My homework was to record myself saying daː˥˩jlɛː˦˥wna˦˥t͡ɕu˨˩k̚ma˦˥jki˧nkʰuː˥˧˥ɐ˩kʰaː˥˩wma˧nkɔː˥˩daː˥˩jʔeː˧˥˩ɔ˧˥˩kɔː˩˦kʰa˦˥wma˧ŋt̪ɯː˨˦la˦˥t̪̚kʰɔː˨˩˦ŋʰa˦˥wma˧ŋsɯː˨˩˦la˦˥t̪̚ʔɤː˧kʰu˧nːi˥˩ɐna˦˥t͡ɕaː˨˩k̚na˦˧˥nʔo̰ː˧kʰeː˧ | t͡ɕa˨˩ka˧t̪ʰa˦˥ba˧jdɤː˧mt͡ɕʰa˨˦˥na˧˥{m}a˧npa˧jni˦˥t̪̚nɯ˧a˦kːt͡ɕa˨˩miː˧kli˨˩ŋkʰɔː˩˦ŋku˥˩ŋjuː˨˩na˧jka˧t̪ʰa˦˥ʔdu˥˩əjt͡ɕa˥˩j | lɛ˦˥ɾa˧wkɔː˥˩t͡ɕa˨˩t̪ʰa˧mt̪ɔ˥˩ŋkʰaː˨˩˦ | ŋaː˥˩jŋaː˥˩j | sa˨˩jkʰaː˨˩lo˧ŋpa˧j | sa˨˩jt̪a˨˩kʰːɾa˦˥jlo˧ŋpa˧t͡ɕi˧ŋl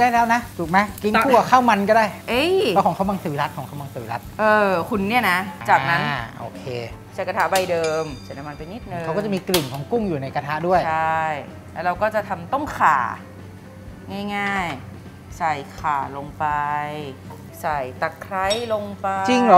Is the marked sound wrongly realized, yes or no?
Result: no